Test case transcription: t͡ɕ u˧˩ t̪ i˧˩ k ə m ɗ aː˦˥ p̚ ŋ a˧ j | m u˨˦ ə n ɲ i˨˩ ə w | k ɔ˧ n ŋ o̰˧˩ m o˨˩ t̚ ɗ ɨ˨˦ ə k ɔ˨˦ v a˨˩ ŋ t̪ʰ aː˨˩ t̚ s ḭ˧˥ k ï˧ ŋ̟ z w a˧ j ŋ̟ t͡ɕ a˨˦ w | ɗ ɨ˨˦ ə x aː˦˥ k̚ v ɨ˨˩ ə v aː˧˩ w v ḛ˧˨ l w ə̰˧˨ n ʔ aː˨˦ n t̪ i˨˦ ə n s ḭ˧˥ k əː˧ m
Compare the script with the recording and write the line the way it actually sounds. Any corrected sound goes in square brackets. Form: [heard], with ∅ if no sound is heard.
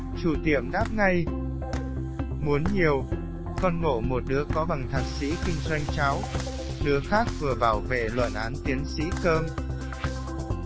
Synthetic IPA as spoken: t͡ɕ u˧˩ t̪ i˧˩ [∅] ə m ɗ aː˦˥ p̚ ŋ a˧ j | m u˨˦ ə n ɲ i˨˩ ə w | k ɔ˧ n ŋ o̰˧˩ m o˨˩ t̚ ɗ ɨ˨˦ ə k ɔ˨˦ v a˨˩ ŋ t̪ʰ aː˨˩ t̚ s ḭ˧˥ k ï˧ ŋ̟ z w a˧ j ŋ̟ t͡ɕ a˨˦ w | ɗ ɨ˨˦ ə x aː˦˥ k̚ v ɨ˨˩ ə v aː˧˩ w v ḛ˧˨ l w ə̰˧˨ n ʔ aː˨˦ n t̪ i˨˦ ə n s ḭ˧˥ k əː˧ m

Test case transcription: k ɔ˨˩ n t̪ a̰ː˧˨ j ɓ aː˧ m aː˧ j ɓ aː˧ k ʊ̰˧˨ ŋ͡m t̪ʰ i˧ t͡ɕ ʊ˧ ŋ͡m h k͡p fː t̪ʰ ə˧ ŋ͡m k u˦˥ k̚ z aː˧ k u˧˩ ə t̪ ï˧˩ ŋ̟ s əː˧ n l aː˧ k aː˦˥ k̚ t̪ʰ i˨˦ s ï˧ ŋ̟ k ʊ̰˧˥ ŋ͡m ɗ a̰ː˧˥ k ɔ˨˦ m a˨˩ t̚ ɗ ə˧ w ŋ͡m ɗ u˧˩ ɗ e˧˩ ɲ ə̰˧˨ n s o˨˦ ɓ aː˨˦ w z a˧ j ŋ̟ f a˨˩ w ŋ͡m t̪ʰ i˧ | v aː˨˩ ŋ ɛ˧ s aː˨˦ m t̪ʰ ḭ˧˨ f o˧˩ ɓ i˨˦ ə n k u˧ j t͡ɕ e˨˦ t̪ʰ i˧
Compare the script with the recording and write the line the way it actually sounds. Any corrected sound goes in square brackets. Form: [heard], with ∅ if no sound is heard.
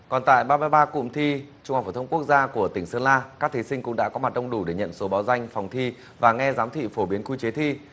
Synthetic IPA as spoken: k ɔ˨˩ n t̪ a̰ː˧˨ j ɓ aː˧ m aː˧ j ɓ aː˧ k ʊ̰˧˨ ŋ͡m t̪ʰ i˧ t͡ɕ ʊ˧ ŋ͡m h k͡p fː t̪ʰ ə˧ ŋ͡m k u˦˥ k̚ z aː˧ k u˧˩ ə t̪ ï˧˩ ŋ̟ s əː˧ n l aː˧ k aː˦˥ k̚ t̪ʰ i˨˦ s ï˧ ŋ̟ k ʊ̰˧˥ ŋ͡m ɗ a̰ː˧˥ k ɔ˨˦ m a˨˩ t̚ ɗ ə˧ w ŋ͡m ɗ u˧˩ ɗ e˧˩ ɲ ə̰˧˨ n s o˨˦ ɓ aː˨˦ w z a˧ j ŋ̟ f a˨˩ w ŋ͡m t̪ʰ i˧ | v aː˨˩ ŋ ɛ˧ [z] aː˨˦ m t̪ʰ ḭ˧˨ f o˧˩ ɓ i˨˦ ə n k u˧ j t͡ɕ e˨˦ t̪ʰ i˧

